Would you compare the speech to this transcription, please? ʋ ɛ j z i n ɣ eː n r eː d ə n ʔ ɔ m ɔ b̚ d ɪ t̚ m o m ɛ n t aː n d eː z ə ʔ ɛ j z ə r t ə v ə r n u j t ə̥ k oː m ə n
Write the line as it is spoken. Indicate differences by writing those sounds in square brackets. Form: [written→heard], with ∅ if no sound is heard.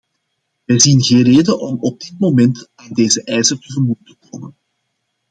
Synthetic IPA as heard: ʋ ɛ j z i n ɣ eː n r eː d ə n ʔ ɔ m ɔ b̚ d ɪ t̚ m o m ɛ n t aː n d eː z ə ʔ ɛ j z ə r t ə v ə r [n→m] u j t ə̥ k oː m ə n